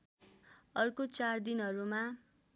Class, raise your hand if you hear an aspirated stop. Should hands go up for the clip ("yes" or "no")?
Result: no